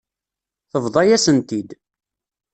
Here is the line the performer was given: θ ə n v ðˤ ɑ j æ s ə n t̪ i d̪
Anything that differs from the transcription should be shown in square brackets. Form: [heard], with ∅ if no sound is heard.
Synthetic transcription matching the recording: θ ə [∅] v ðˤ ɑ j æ s ə n t̪ i d̪